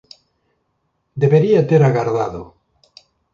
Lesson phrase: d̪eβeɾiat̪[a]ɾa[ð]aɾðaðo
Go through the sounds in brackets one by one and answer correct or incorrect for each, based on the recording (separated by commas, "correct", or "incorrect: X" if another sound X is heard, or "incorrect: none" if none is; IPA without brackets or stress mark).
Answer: incorrect: e, incorrect: ɣ